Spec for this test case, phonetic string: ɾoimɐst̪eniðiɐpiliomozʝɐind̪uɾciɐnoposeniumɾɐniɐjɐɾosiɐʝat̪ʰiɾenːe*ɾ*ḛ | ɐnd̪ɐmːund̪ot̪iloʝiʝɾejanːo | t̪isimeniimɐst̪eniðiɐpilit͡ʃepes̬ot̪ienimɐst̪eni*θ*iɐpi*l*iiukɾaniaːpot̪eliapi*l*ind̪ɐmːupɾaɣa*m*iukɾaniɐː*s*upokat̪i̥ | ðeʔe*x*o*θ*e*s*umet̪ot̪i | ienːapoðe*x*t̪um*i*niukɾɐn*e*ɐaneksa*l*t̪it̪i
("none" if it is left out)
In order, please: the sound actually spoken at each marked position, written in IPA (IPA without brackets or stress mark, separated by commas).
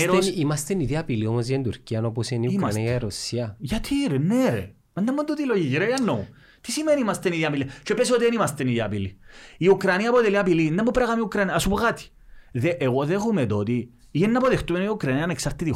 ɾ, ð, l, l, m, s, ɣ, ð, x, x, e, i, ɾ